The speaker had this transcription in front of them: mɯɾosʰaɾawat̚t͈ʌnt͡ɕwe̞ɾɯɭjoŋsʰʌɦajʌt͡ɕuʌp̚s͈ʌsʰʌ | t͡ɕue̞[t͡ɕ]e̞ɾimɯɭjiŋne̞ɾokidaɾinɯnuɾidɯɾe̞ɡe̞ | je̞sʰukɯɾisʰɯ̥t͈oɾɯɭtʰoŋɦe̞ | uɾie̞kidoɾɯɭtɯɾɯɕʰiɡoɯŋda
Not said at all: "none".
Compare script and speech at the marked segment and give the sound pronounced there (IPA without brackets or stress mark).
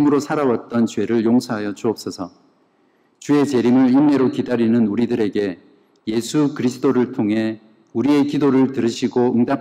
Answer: t͡ɕ